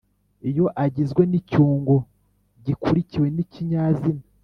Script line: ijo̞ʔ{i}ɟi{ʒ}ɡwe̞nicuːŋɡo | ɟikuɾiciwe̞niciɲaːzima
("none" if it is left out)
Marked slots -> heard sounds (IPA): a, z

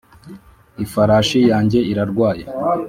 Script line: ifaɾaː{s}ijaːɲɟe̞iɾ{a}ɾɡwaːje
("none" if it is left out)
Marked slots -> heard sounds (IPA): ʃ, a

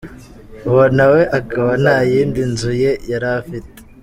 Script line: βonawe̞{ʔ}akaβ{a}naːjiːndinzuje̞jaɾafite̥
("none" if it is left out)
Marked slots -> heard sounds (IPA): ʔ, a

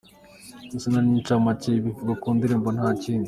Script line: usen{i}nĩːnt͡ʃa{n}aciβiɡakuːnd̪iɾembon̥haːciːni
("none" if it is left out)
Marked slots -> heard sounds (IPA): a, m

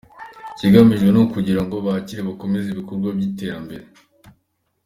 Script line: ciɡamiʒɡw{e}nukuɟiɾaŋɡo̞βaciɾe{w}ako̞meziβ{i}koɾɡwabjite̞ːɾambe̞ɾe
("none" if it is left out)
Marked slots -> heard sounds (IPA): e, β, i

